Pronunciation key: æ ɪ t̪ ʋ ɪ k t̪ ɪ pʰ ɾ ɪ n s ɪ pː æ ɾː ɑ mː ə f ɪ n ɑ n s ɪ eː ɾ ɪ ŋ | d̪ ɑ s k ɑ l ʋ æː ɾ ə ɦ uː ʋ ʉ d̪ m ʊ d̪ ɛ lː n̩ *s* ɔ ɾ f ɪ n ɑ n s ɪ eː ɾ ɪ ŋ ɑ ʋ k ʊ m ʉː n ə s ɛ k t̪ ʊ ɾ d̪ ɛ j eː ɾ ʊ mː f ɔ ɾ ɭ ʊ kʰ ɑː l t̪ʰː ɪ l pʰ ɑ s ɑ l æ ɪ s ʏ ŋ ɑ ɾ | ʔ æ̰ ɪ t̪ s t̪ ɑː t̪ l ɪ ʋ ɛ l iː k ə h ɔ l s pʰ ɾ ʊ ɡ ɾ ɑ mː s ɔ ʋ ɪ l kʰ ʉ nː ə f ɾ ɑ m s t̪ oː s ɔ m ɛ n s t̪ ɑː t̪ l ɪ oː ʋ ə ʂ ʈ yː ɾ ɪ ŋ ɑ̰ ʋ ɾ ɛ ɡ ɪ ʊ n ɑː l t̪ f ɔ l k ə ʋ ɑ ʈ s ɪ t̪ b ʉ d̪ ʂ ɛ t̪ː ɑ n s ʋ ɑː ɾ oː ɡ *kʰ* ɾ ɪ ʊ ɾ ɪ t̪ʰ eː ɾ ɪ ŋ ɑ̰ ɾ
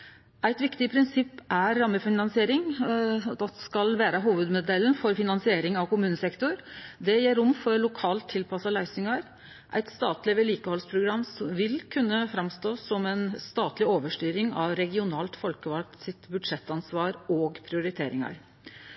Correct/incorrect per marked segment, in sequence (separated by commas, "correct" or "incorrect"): incorrect, incorrect